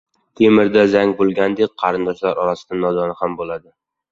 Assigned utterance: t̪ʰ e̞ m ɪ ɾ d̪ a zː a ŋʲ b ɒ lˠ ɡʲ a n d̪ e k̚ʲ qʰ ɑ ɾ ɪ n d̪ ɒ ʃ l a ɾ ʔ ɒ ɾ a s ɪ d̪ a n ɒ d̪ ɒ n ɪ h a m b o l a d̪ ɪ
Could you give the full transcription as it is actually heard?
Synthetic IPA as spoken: t̪ʰ e̞ m ɪ ɾ d̪ a z a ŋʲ b o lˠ ɡʲ a n d̪ e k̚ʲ qʰ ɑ ɾ ɪ n d̪ ɒ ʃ l a ɾ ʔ ɒ ɾ a s ɪ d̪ a n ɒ d̪ ɒ n ɪ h a m b o l a d̪ ɪ